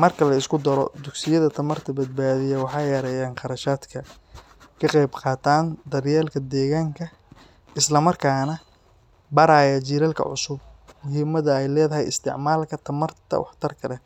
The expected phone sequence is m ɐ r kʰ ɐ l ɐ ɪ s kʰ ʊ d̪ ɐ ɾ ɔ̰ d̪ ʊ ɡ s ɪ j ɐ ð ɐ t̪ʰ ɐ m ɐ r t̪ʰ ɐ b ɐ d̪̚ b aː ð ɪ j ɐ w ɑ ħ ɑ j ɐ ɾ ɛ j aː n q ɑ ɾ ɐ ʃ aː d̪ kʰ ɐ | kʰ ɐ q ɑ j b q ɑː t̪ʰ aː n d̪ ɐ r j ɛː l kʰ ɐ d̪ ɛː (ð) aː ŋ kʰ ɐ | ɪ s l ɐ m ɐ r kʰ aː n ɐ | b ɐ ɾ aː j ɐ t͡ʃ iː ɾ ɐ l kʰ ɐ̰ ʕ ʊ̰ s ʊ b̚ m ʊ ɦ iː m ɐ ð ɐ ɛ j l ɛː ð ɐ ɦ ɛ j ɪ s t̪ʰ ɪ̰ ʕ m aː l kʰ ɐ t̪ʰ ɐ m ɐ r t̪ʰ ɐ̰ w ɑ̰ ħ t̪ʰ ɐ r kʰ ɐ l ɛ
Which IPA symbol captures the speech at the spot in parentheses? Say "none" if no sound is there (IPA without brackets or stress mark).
ɣ